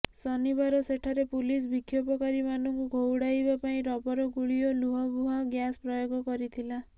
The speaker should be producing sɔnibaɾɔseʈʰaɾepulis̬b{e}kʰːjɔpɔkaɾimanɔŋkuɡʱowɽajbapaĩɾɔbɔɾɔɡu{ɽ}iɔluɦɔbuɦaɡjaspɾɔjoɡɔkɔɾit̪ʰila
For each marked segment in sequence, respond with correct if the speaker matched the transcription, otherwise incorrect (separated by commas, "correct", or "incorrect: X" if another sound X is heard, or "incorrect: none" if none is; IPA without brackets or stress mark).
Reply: incorrect: i, incorrect: ɭ